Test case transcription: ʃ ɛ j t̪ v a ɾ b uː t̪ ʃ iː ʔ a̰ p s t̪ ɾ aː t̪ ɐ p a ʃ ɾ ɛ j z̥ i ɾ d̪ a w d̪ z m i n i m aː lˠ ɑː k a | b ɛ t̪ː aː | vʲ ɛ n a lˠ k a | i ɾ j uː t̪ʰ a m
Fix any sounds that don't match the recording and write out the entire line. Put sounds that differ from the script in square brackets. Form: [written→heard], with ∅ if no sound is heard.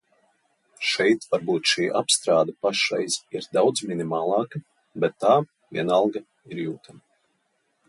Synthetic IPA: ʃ ɛ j t̪ v a ɾ b uː t̪ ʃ iː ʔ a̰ p s t̪ ɾ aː [t̪→d̪] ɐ p a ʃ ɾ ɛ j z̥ i ɾ d̪ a w d̪ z m i n i m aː lˠ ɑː k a | b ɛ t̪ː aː | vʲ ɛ n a lˠ [k→ɡ] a | i ɾ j uː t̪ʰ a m

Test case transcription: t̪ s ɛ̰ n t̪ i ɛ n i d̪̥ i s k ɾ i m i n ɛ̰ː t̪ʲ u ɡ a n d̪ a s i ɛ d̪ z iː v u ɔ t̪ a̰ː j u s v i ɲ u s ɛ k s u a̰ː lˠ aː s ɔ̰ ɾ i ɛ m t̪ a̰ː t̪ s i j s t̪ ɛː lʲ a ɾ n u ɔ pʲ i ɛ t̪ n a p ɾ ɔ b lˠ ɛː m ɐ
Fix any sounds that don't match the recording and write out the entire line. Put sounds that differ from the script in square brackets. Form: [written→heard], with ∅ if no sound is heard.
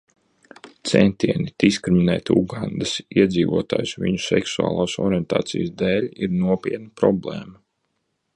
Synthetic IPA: t̪ s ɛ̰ n t̪ i ɛ n i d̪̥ i s k ɾ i m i n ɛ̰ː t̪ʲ u ɡ a n d̪ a s i ɛ d̪ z iː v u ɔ t̪ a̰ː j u s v i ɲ u s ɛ k s u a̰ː lˠ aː s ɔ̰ ɾ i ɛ [m→n] t̪ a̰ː t̪ s i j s [t̪→d̪] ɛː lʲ [a→i] ɾ n u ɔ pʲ i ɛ t̪ n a p ɾ ɔ b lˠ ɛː m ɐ

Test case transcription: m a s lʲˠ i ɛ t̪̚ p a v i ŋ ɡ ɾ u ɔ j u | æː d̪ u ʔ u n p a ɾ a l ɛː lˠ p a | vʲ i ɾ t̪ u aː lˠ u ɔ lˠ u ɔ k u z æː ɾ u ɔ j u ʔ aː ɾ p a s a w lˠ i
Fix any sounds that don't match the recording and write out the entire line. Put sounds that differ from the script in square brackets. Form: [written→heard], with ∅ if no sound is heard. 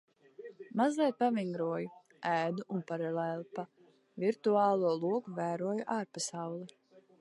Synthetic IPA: m a [s→z] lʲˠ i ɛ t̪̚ p a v i ŋ ɡ ɾ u ɔ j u | æː d̪ u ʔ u n p a ɾ a l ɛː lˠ p a | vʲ i ɾ t̪ u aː lˠ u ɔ lˠ u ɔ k u [z→v] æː ɾ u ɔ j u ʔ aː ɾ p a s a w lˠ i

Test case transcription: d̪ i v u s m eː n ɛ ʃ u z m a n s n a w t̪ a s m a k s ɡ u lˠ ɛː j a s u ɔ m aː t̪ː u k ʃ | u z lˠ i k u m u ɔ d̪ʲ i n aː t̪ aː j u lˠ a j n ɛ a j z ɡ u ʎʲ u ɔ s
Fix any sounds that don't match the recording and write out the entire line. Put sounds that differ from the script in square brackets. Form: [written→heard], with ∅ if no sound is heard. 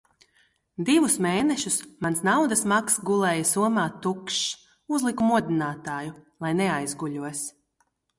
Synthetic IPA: d̪ i v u s m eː n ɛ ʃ u [z→s] m a n s n a w [t̪→d̪] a s m a k s ɡ u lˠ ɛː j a s u ɔ m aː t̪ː u k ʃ | u z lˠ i k u m u ɔ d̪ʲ i n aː t̪ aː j u lˠ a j n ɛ a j z ɡ u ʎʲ u ɔ s

